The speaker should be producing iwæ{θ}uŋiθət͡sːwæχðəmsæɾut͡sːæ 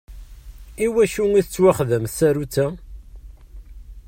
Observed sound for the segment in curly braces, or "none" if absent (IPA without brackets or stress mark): ʃ